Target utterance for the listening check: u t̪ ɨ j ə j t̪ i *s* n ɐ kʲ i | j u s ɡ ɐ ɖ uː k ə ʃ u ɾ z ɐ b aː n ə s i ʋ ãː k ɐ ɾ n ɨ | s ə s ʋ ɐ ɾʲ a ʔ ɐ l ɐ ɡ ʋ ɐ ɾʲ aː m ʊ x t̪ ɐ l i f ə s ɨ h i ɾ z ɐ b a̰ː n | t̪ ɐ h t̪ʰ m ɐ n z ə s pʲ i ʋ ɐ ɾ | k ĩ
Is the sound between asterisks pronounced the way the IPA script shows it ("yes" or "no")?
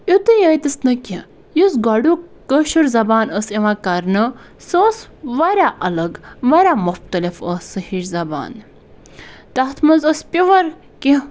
yes